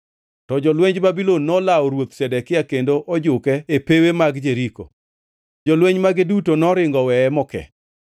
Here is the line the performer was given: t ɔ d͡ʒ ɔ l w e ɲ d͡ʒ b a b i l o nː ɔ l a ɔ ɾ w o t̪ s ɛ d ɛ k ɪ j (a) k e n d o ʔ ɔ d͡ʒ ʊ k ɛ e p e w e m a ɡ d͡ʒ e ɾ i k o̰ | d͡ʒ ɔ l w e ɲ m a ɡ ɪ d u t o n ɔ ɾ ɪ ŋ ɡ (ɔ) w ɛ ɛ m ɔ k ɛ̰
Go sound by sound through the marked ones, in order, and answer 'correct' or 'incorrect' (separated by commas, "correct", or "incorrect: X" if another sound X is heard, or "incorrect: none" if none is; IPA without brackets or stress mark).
correct, correct